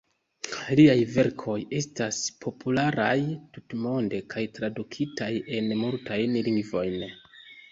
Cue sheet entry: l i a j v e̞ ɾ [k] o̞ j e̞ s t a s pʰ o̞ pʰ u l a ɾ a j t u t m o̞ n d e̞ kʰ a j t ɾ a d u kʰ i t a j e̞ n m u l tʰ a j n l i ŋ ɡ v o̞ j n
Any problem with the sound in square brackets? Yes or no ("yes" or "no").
yes